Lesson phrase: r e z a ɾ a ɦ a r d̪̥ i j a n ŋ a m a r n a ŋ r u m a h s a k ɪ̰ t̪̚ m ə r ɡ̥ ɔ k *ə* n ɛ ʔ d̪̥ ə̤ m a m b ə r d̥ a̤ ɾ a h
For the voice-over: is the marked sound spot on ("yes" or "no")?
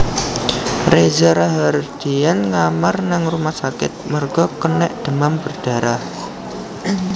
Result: yes